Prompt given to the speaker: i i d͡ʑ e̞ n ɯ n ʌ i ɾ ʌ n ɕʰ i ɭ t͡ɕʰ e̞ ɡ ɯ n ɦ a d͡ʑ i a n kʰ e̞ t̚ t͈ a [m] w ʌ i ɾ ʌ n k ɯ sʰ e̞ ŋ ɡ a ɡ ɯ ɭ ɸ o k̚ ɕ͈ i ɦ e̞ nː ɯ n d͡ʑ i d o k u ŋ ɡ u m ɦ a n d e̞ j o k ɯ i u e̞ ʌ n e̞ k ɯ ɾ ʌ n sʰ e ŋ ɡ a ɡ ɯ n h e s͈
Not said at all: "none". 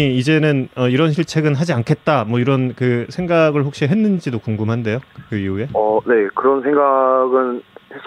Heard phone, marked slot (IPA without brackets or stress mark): m